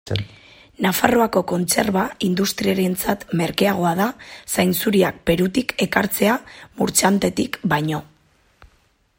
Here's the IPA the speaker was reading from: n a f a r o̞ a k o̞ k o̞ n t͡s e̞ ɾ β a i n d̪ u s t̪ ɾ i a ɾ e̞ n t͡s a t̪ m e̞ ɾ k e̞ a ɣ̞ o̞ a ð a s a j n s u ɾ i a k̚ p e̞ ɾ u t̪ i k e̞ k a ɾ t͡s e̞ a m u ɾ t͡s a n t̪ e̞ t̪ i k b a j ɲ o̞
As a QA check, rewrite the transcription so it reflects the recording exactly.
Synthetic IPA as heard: n a f a r o̞ a k o̞ k o̞ n t͡s e̞ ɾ β a i n d̪ u s t̪ ɾ i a ɾ e̞ n t͡s a t̪ m e̞ ɾ k e̞ a ɣ̞ o̞ a ð a s a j n s u ɾ i a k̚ p e̞ ɾ u t̪ i k e̞ k a ɾ t͡s e̞ a m u ɾ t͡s a n t̪ e̞ t̪ i k b a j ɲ o̞